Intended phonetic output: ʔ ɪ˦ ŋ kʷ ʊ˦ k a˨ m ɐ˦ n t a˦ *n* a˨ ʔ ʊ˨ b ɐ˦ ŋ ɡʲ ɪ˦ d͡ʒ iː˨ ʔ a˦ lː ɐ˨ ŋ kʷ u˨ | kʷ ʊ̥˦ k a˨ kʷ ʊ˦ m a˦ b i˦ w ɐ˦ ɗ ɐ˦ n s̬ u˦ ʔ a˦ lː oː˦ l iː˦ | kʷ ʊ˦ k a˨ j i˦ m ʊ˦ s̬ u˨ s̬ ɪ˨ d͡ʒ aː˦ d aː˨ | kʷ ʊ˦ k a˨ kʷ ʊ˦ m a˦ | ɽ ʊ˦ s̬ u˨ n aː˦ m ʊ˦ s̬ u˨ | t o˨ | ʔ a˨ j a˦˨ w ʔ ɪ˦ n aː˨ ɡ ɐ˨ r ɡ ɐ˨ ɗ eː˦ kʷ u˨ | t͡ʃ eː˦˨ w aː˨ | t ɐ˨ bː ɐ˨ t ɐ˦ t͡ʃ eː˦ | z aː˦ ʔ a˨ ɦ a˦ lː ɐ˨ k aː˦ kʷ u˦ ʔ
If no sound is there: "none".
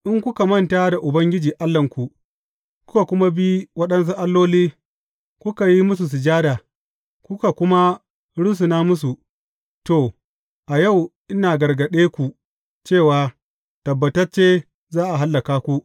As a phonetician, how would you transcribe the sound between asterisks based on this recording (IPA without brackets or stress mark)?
d